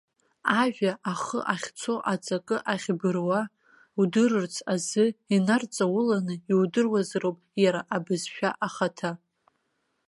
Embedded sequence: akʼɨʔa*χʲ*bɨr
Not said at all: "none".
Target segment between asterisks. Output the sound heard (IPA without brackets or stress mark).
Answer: χʲ